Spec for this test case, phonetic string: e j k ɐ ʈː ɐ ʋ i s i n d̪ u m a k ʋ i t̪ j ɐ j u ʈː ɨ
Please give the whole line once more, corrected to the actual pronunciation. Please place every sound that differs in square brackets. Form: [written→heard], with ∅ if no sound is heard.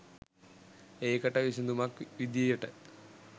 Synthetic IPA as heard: e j k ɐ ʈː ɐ ʋ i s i n d̪ u m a k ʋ i [t̪→d̪] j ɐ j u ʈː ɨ